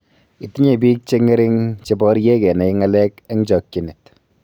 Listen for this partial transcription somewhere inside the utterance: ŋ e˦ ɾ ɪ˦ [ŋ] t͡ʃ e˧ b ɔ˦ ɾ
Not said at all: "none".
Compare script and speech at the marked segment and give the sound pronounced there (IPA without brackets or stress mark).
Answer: ŋ